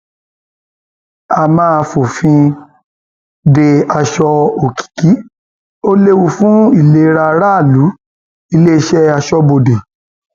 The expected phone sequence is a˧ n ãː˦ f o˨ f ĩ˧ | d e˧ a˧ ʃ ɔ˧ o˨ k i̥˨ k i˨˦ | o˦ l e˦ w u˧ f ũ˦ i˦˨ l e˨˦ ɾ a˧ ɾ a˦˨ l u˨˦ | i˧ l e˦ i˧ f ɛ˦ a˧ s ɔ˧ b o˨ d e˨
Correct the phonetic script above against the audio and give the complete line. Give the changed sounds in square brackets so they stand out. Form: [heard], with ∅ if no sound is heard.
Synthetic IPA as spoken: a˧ [m] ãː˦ f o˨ f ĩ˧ | d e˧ a˧ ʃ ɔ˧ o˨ k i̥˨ k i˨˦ | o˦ l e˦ w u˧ f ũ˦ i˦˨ l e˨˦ ɾ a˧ ɾ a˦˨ l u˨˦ | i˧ l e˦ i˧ [ʃ] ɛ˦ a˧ [ʃ] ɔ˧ b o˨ d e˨